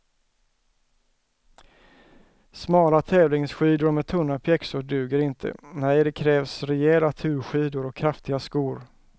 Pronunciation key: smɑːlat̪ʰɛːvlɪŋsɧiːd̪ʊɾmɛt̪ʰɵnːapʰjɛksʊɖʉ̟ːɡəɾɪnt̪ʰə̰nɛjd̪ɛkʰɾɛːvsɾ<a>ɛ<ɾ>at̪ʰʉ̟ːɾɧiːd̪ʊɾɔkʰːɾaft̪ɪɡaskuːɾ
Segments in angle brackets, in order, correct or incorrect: incorrect, incorrect

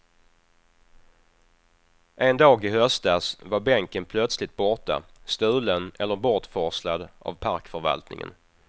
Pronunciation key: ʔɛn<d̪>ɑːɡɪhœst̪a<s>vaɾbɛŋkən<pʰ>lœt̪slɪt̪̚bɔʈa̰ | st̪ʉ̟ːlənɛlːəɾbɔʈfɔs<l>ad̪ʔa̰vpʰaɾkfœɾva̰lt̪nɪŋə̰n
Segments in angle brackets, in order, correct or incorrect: correct, correct, correct, correct

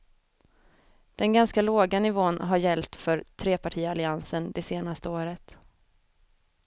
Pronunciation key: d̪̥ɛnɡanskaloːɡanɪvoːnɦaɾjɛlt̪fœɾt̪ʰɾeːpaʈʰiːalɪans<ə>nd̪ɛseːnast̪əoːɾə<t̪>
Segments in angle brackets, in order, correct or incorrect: correct, correct

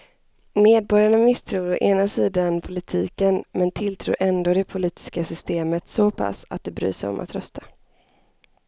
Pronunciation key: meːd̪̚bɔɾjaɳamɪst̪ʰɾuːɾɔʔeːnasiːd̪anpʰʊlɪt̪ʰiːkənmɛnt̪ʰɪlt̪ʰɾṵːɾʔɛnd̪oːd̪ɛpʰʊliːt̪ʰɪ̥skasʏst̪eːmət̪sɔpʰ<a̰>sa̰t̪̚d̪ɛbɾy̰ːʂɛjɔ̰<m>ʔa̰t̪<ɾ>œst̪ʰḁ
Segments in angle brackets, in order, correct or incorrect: correct, correct, correct

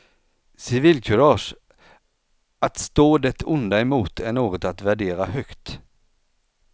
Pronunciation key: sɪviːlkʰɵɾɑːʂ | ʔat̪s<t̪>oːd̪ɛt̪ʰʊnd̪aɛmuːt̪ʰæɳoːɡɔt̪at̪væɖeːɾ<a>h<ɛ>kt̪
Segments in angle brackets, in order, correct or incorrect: correct, correct, incorrect

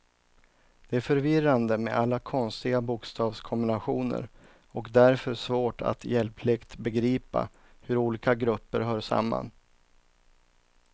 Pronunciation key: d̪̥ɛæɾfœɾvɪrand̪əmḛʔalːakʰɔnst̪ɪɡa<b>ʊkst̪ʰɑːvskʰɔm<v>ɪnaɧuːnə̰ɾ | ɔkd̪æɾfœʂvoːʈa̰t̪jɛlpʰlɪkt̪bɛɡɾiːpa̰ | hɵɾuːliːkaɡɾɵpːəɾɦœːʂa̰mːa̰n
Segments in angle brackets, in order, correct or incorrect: correct, incorrect

